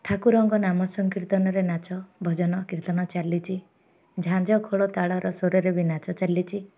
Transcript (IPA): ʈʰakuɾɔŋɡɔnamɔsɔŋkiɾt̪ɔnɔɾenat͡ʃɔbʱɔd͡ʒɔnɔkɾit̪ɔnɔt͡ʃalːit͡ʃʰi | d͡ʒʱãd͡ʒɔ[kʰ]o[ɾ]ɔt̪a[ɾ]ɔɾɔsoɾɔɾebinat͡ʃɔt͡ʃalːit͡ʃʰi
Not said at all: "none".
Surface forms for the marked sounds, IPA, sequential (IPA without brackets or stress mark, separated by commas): kʰ, ɭ, ɭ